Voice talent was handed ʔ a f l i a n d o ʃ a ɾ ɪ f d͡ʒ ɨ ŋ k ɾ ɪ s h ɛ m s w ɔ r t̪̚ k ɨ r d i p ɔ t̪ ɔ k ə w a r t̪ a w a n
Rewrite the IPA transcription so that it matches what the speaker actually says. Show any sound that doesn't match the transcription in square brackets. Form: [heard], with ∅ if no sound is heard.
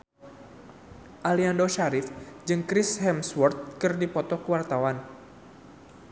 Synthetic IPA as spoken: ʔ a [∅] l i a n d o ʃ a ɾ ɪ f d͡ʒ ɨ ŋ k ɾ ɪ s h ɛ m s w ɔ r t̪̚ k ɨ r d i p ɔ t̪ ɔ k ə w a r t̪ a w a n